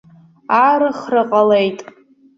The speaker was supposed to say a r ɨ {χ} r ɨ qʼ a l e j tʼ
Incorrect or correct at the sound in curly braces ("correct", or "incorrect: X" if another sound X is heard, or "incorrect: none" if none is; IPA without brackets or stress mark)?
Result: correct